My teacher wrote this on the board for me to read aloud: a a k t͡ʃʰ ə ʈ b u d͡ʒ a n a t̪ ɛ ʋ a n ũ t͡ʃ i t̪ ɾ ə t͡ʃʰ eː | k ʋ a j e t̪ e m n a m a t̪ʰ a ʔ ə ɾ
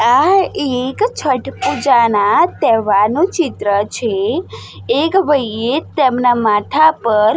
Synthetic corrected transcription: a e k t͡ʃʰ ə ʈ p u d͡ʒ a n a t̪ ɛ ʋ a n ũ t͡ʃ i t̪ ɾ ə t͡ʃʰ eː | k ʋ ə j e t̪ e m n a m a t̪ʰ a p ə ɾ